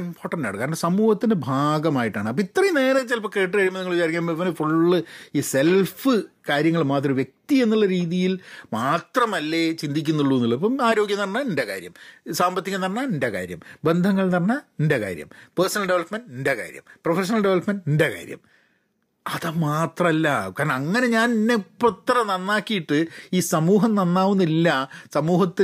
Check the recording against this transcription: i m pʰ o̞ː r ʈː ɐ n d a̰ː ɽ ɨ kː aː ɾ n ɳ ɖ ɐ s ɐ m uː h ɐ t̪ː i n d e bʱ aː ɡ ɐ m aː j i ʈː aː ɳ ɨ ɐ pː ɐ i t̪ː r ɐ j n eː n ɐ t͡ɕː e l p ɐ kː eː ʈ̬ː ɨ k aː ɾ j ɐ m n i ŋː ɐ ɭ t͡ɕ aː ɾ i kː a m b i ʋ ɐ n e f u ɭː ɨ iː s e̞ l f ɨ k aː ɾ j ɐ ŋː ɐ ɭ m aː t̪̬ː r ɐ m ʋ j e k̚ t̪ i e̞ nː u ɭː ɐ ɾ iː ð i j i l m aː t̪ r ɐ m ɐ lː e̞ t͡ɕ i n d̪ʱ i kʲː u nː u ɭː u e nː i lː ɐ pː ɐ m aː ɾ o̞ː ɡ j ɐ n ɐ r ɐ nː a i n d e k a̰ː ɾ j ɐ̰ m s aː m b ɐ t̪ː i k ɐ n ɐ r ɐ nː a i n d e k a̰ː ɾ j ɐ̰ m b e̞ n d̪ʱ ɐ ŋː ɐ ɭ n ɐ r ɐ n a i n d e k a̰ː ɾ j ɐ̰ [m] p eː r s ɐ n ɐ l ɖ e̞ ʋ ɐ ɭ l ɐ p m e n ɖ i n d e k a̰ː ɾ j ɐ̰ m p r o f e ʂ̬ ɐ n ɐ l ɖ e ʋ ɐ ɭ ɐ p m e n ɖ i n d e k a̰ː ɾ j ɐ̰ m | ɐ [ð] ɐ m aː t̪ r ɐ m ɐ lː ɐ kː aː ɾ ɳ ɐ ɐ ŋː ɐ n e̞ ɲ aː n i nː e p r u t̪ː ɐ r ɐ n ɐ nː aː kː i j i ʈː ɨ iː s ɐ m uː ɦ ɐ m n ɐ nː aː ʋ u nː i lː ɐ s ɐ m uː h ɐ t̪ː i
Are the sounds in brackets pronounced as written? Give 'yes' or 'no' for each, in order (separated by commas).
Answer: yes, yes